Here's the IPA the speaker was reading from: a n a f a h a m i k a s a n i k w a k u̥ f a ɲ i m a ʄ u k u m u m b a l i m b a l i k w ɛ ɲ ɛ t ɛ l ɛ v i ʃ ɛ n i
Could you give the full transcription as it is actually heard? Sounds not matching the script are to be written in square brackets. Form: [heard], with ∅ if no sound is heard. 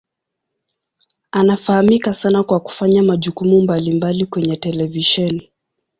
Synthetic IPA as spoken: a n a f a h a m i k a s a n [a] k w a k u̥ f a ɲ [a] m a ʄ u k u m u m b a l i m b a l i k w ɛ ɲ ɛ t ɛ l ɛ v i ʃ ɛ n i